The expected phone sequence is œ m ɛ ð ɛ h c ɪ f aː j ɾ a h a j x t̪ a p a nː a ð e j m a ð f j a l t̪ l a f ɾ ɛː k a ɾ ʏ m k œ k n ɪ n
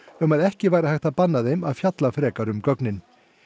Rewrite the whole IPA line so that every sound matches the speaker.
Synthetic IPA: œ m a ð ɛ h c ɪ v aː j ɾ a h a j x t̪ a p a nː a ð e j m a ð f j a t̪ l a f ɾ ɛː k a ɾ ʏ m k œ k n ɪ n